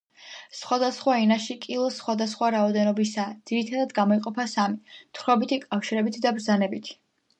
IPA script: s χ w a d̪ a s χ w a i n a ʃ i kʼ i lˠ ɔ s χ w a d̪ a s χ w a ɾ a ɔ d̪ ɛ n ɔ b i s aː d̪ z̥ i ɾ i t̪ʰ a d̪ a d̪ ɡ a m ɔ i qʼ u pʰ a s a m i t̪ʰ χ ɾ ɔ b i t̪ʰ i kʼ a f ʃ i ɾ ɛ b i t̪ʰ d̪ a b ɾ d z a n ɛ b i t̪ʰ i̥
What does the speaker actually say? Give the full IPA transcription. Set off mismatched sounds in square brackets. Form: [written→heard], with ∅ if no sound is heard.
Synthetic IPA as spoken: s χ w a d̪ a s χ w a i n a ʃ i kʼ i lˠ ɔ s χ w a d̪ a s χ w a ɾ a ɔ d̪ ɛ n ɔ b i s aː d̪ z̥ i ɾ i t̪ʰ a d̪ a d̪ ɡ a m ɔ i qʼ [u→ɔ] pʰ a s a m i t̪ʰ χ ɾ ɔ b i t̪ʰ i kʼ a f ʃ i ɾ ɛ b i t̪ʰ d̪ a b ɾ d z a n ɛ b i t̪ʰ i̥